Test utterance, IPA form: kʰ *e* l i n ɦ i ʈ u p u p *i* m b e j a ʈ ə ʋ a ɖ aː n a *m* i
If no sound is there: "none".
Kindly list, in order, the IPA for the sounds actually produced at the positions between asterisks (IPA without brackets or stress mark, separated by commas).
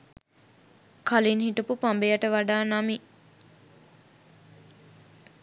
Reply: a, a, m